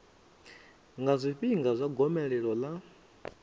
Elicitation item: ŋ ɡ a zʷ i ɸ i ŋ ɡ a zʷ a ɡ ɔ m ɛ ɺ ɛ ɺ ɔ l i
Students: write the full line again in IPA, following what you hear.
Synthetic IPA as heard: ŋ ɡ a zʷ i ɸ i ŋ ɡ a zʷ a ɡ ɔ m ɛ ɺ ɛ ɺ ɔ l a